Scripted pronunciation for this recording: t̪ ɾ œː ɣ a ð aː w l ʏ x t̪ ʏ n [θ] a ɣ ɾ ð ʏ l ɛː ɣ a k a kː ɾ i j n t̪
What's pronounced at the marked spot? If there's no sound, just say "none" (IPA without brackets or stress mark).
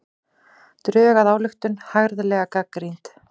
h